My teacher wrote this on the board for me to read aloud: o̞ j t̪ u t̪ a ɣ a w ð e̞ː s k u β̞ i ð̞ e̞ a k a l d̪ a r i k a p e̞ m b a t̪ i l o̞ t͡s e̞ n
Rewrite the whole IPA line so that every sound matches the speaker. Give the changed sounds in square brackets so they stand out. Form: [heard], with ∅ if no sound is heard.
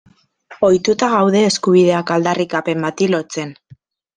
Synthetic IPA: o̞ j t̪ u t̪ a ɣ a w ð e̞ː s k u β̞ i ð̞ e̞ a k a l d̪ a r i k a p e̞ m b a t̪ i l o̞ t͡s e̞ n